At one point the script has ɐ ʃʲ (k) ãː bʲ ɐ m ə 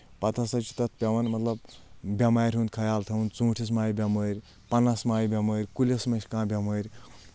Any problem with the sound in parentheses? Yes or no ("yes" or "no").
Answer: no